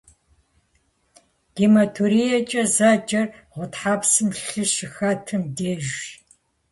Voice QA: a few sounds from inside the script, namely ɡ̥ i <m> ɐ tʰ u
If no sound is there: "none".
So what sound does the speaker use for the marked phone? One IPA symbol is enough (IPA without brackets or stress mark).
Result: m